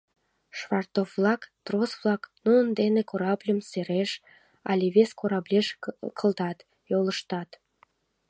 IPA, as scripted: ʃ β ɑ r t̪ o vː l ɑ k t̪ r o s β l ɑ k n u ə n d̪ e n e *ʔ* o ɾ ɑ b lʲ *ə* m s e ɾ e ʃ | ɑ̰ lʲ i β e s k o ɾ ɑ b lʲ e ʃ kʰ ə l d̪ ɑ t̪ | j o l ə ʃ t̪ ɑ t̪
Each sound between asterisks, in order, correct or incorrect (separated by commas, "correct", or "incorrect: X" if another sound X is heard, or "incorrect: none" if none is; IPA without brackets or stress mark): incorrect: k, correct